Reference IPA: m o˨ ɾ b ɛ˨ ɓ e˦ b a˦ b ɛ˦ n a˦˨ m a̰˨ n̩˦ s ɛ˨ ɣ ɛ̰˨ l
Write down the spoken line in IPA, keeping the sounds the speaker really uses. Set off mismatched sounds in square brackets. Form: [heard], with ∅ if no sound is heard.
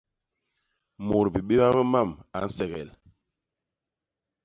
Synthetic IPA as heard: m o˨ ɾ b [i˨] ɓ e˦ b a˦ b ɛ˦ [m] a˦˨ m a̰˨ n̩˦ s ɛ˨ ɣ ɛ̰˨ l